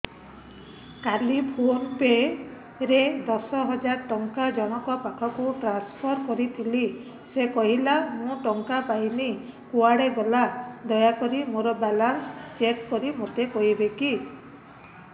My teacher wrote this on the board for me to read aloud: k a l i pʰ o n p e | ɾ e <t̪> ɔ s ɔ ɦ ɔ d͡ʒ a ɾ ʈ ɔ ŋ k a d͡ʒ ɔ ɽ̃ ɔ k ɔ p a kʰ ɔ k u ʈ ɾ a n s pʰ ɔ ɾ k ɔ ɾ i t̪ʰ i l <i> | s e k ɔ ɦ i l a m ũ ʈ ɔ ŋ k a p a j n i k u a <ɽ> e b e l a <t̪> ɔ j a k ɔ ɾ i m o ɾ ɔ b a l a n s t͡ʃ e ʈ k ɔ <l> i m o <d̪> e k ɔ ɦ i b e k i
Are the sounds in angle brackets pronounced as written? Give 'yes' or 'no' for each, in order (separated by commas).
no, yes, yes, no, no, no